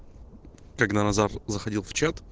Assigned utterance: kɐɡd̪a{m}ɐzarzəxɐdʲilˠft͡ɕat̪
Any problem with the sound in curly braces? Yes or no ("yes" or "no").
yes